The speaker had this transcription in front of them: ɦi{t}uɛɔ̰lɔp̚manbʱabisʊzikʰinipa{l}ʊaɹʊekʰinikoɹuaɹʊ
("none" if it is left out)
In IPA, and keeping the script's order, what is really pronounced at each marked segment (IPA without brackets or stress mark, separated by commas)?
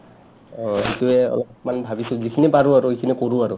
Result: t, ɹ